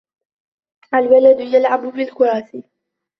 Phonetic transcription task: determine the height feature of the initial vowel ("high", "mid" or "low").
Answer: low